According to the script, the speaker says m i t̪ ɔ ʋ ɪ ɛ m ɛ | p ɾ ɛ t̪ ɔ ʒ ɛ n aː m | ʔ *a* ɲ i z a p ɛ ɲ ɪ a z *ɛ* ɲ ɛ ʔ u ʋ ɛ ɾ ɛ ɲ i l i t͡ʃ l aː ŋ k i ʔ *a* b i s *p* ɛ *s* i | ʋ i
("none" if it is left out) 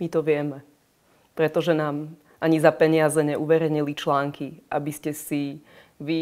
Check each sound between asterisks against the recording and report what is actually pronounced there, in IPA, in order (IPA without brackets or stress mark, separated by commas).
a, ɛ, a, c, s